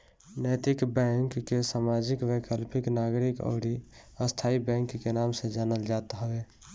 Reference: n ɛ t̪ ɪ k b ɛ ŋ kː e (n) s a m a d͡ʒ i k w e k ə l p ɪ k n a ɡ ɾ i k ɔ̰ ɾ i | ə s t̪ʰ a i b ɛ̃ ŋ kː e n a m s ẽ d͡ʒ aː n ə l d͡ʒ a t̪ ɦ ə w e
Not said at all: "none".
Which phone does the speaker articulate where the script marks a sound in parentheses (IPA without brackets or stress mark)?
none